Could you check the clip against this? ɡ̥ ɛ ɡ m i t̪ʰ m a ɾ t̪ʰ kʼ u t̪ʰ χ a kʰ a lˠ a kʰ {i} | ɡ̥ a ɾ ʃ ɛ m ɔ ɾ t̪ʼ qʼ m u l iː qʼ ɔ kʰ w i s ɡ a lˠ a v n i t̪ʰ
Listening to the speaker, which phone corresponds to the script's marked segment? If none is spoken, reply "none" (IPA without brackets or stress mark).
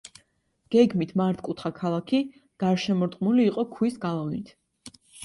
i